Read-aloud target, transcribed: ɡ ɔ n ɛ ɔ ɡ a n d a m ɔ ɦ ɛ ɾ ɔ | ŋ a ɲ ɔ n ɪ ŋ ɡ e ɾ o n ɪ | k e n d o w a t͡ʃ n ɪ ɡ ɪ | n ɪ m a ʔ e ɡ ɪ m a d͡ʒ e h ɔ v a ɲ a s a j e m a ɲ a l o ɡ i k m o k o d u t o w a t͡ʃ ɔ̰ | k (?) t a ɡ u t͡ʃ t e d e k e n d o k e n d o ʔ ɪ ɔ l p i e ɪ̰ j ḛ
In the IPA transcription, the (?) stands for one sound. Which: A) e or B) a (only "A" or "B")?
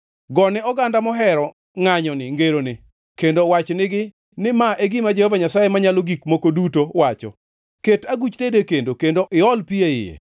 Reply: A